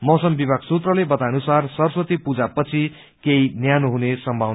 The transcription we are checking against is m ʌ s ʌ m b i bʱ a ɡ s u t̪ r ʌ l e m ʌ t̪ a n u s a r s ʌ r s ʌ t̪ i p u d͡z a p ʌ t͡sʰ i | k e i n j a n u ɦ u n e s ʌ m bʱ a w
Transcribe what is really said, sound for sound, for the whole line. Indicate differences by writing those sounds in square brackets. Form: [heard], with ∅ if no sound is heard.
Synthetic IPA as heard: m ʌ s ʌ m b i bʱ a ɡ s u t̪ r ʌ l e [b] ʌ t̪ a n u s a r s ʌ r s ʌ t̪ i p u d͡z a p ʌ t͡sʰ i | k e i n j a n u ɦ u n e s ʌ m bʱ a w

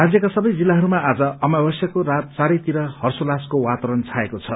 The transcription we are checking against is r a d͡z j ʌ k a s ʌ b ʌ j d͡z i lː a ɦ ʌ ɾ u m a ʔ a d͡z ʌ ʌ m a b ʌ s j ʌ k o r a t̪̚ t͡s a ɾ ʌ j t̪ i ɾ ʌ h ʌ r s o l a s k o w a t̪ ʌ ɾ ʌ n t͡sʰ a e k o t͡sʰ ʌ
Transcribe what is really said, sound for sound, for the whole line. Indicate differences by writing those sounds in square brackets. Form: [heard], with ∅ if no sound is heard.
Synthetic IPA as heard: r a d͡z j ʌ k a s ʌ b ʌ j d͡z i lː a ɦ ʌ ɾ u m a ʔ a d͡z ʌ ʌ m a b ʌ s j ʌ k o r a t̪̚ t͡s a ɾ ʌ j t̪ i ɾ ʌ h ʌ r s o l a s k o w a t̪ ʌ ɾ ʌ n t͡sʰ a e k o t͡sʰ ʌ

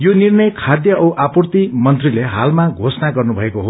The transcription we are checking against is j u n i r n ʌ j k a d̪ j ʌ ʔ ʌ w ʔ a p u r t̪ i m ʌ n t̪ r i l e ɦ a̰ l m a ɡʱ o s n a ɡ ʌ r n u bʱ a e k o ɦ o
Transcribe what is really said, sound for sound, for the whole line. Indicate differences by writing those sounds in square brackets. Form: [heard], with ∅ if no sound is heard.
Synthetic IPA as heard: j [o] n i r n ʌ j [kʰ] a d̪ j ʌ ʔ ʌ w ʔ a p u r t̪ i m ʌ n t̪ r i l e ɦ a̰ l m a ɡʱ o s n a ɡ ʌ r n u bʱ [ʌ] e k o ɦ o

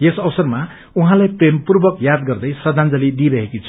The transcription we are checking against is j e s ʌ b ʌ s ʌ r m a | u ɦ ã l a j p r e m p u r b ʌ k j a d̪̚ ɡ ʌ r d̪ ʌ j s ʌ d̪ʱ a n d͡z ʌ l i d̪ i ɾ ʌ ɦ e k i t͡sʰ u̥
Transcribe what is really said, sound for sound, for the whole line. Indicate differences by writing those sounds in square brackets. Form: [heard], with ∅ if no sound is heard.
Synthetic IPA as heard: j e s ʌ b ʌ s ʌ r m a | u ɦ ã l a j p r e m p u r b ʌ k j a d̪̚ ɡ ʌ r d̪ ʌ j s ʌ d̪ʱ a n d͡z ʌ l i d̪ i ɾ ʌ ɦ e k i t͡sʰ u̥

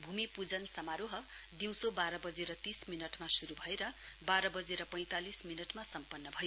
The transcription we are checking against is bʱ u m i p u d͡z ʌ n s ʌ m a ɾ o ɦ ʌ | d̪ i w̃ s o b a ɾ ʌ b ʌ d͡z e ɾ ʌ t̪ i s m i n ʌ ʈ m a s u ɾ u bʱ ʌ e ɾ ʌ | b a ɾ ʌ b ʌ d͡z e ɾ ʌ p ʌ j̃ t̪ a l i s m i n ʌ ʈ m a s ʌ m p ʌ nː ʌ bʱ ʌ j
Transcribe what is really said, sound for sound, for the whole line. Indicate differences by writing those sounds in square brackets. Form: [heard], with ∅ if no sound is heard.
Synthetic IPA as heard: bʱ u m i p u d͡z ʌ n s ʌ m a ɾ o ɦ ʌ | d̪ i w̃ s o b a ɾ ʌ b ʌ d͡z e ɾ ʌ t̪ i s m i n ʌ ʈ m a s u ɾ u bʱ ʌ e ɾ ʌ | b a ɾ ʌ b ʌ d͡z e ɾ ʌ p ʌ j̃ t̪ a l i s m i n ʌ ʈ m a s ʌ m p ʌ nː ʌ bʱ ʌ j

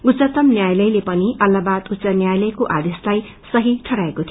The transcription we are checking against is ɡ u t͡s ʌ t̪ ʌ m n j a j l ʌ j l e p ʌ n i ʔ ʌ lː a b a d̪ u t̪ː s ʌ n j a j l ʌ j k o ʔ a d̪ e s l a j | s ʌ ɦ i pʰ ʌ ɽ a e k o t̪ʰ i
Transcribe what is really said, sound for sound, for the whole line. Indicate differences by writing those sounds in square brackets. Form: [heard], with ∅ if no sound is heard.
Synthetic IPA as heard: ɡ u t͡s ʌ t̪ ʌ m n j a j l ʌ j l e p ʌ n i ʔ ʌ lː a b a d̪ u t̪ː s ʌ n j a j l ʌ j k o ʔ a d̪ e s l a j | s ʌ ɦ i [ʈʰ] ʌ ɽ a e k o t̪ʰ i

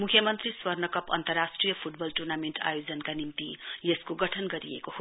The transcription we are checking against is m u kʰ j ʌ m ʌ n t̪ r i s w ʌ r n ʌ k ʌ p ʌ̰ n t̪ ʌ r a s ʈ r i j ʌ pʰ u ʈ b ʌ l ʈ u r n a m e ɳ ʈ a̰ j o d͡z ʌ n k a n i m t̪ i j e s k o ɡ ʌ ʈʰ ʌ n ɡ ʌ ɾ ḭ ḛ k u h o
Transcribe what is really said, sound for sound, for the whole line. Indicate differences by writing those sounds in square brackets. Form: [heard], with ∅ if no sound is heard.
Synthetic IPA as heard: m u kʰ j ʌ m ʌ n t̪ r i s w ʌ r n ʌ k ʌ p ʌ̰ n t̪ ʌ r a s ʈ r i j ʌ pʰ u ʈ b ʌ l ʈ u r n a m e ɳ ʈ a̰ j o d͡z ʌ n k a n i m t̪ i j e s k o ɡ ʌ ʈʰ ʌ n ɡ ʌ ɾ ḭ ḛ k [o] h o

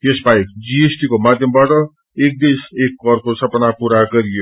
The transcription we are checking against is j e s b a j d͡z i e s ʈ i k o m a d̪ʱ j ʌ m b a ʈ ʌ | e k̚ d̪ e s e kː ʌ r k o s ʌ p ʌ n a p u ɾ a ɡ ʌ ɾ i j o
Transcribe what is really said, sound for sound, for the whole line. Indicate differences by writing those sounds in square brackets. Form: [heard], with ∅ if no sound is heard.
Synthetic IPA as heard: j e s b a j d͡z i e s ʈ i k o m a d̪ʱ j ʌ m b a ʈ ʌ | e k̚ d̪ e s e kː ʌ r k o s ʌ p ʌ n a p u ɾ a ɡ ʌ ɾ i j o

